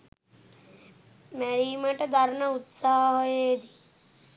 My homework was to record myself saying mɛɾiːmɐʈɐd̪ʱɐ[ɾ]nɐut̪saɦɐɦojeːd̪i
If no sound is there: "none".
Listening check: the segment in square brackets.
ɾ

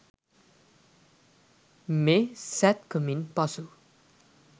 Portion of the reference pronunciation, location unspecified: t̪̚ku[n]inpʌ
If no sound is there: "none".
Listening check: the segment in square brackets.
m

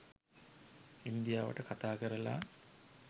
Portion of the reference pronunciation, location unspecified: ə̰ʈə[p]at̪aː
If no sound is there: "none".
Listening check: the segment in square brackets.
k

